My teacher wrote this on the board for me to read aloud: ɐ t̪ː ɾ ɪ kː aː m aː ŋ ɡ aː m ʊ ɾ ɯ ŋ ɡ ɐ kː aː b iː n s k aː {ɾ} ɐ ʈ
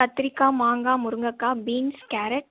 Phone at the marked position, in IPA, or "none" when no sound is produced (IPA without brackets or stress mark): ɾ